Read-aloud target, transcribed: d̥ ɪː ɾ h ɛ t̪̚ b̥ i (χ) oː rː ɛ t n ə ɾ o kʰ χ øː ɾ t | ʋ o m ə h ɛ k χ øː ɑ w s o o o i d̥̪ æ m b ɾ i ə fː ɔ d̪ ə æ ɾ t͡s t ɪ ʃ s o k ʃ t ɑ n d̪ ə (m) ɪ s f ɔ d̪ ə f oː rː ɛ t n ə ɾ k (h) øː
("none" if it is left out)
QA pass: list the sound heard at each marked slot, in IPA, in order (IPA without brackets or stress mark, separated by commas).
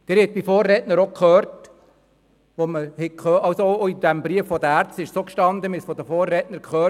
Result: f, m, χ